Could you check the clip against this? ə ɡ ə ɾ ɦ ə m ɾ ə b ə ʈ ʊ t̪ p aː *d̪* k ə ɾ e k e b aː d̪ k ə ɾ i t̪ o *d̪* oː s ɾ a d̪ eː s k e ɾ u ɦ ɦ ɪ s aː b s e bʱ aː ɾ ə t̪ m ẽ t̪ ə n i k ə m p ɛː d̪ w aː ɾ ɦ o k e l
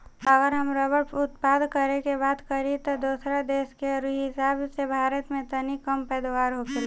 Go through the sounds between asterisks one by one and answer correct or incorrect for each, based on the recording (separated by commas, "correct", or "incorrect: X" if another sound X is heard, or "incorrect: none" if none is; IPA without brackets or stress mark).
correct, correct